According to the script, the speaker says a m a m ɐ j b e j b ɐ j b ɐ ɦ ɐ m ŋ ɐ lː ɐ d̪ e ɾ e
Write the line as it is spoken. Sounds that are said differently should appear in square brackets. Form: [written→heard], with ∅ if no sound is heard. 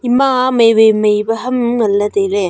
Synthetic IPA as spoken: [a→i] m a m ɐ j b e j [b→m] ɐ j b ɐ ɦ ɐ m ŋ ɐ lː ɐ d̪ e ɾ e